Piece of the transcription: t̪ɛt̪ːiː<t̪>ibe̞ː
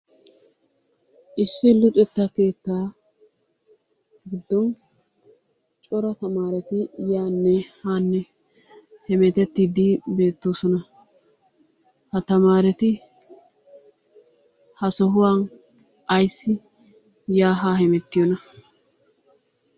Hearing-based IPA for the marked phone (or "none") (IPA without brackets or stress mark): d̪